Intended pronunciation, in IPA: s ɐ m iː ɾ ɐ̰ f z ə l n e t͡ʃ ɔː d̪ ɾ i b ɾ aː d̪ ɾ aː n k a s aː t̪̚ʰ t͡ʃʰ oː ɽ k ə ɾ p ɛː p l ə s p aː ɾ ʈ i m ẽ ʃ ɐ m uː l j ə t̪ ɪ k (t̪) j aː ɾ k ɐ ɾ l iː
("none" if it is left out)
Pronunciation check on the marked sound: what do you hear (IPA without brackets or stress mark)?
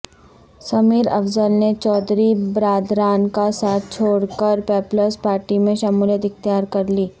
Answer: t̪